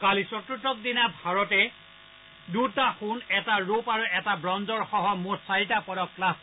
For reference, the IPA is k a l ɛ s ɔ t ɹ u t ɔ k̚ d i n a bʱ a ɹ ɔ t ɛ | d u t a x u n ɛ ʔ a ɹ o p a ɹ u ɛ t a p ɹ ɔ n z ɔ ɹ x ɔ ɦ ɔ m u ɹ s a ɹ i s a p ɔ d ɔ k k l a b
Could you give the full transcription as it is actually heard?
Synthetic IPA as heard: k a l i s ɔ t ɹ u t ɔ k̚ d i n a bʱ a ɹ ɔ t ɛ | d u t a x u n ɛ t a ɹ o p a ɹ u ɛ t a b ɹ ɔ n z ɔ ɹ x ɔ ɦ ɔ m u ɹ s a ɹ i t a p ɔ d ɔ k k l a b